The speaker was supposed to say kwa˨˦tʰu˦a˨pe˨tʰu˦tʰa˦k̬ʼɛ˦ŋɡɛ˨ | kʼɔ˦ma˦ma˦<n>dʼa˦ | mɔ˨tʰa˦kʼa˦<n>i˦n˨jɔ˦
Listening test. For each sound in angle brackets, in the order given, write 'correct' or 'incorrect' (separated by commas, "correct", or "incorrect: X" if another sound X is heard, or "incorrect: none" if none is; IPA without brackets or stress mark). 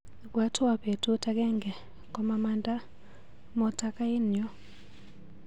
correct, incorrect: none